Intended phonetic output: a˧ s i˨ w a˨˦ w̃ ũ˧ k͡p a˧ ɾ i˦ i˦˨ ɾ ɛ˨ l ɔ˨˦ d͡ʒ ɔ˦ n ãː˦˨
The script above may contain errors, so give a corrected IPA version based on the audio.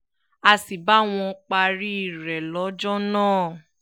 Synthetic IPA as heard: a˧ s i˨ b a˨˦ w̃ ɔ̃˧ k͡p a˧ ɾ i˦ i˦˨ ɾ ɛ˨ l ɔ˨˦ d͡ʒ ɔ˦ n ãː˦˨